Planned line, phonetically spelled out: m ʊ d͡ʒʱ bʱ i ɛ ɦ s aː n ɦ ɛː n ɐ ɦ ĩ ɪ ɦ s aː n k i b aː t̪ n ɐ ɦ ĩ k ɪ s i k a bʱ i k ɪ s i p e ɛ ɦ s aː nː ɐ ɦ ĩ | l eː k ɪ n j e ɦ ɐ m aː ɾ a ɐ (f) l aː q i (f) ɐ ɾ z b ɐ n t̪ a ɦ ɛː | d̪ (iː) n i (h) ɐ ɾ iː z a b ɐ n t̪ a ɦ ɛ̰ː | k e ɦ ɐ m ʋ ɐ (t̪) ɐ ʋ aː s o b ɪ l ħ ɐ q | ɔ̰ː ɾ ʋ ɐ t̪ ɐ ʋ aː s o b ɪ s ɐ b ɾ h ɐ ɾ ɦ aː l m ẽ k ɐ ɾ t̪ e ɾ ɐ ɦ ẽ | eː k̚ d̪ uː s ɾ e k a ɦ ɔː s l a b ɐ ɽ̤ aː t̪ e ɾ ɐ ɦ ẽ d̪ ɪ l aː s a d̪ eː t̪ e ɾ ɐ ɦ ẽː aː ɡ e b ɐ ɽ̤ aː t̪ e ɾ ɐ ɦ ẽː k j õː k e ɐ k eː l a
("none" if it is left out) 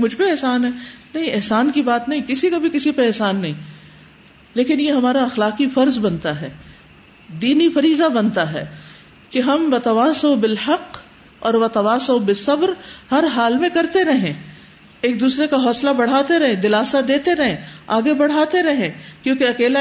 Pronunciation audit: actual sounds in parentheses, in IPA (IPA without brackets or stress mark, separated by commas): x, f, iː, f, t̪